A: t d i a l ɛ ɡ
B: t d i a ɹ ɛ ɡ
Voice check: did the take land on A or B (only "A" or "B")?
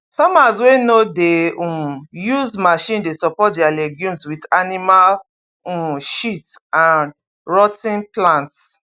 A